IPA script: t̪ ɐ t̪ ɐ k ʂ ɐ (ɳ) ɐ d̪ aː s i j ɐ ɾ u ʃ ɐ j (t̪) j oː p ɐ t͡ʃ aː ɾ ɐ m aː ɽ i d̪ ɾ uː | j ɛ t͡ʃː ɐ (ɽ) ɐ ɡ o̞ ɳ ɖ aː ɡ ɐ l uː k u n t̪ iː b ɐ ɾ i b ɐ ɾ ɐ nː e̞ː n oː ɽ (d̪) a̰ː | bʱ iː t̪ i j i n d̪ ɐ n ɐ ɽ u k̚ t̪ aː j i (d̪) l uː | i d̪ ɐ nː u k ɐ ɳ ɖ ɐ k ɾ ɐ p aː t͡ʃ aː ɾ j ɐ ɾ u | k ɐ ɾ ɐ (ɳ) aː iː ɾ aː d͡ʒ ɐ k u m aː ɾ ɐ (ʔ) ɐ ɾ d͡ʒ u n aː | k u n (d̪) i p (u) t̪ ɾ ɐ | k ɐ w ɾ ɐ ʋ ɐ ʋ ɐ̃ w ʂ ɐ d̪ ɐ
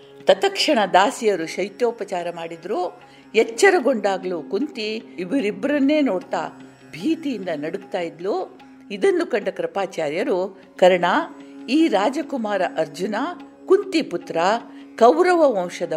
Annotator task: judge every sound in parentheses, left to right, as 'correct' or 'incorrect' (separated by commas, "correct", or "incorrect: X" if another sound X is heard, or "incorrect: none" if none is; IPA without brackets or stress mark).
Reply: correct, correct, incorrect: ɾ, incorrect: t̪, correct, correct, correct, incorrect: t̪, correct